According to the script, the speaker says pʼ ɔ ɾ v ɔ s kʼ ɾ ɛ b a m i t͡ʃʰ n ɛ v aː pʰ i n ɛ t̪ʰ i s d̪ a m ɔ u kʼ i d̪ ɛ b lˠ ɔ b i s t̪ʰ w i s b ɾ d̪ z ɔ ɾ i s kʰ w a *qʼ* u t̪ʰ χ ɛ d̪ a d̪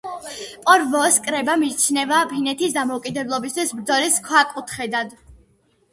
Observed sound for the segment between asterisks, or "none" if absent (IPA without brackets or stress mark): kʼ